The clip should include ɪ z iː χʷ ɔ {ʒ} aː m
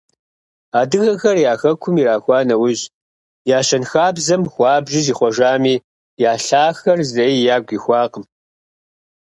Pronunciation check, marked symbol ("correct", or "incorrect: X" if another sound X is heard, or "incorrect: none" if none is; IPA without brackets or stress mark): correct